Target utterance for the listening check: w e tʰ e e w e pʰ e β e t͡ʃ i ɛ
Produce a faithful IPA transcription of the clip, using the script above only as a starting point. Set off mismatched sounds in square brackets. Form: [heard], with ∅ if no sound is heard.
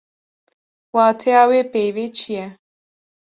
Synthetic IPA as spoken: w [a] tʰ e [a] w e [p] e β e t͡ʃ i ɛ